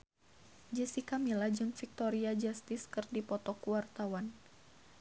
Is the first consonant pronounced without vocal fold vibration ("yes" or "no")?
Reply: no